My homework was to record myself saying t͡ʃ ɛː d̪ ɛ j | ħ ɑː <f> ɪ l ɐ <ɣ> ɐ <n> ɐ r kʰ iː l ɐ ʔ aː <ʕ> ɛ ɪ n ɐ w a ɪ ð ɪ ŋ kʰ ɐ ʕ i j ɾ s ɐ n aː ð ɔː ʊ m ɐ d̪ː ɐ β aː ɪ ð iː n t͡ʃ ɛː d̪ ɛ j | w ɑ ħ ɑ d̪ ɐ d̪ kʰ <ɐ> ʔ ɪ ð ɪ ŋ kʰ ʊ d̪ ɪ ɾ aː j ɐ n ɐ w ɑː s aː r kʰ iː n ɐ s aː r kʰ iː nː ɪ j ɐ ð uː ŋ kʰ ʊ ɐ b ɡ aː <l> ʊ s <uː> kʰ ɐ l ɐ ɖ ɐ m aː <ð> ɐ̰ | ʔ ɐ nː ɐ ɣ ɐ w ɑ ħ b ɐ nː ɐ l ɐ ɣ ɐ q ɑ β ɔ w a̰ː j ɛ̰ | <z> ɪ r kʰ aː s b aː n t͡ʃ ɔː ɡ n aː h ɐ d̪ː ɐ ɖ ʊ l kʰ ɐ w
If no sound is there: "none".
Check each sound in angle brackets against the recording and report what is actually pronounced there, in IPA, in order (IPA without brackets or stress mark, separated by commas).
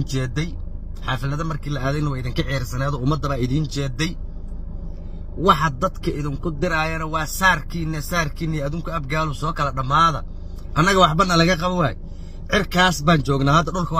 f, ð, m, ð, ɐ, l, ɔː, ð, ʕ